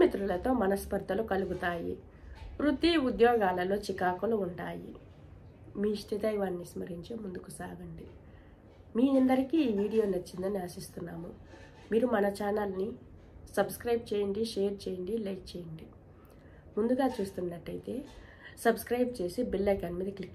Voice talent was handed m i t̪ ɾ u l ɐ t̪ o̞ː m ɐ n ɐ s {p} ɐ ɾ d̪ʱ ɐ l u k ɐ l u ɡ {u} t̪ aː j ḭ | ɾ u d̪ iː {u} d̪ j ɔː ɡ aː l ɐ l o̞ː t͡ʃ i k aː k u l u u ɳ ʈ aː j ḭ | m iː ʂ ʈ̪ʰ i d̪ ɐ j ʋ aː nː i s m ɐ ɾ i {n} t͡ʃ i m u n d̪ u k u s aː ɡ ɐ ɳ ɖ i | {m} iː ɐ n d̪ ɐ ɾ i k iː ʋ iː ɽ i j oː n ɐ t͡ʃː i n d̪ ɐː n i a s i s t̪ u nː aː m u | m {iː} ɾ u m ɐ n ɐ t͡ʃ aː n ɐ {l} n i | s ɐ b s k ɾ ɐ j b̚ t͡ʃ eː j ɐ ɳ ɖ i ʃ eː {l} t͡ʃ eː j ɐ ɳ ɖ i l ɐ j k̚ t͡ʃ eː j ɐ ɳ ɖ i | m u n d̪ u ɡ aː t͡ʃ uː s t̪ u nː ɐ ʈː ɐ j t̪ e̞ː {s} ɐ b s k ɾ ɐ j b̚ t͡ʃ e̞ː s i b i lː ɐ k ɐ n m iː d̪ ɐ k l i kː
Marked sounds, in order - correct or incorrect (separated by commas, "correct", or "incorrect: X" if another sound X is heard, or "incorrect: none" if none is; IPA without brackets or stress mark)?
correct, correct, correct, incorrect: ɲ, correct, correct, correct, incorrect: ɾ, correct